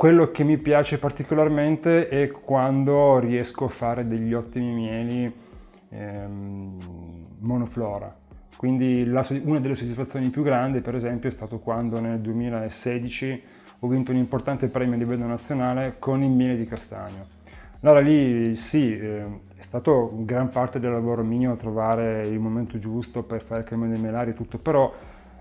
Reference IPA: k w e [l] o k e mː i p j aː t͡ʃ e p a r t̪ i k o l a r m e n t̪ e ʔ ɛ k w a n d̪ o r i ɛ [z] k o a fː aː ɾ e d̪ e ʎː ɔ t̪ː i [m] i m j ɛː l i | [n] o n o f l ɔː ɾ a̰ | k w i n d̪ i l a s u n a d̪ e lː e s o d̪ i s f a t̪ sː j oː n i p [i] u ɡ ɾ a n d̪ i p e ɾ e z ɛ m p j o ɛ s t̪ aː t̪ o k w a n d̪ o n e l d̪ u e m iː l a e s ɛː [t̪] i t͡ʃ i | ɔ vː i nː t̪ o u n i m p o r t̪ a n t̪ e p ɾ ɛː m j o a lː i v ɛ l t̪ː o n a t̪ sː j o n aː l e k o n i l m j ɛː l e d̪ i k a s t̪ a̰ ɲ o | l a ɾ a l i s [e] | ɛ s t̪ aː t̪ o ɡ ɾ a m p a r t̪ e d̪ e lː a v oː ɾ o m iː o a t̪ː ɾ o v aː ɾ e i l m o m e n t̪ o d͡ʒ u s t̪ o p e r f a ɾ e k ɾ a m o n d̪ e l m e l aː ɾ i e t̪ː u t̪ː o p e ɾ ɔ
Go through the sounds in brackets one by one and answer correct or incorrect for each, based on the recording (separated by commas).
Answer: incorrect, incorrect, correct, incorrect, incorrect, incorrect, incorrect